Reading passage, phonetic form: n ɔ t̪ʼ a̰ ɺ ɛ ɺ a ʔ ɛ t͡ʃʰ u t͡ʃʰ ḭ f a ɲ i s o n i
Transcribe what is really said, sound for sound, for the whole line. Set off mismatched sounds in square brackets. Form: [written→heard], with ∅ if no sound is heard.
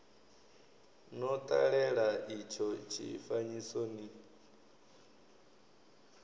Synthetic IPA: n ɔ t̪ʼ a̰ ɺ ɛ ɺ a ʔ [ɛ→i] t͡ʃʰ [u→ɔ] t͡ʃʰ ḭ f a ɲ i s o n i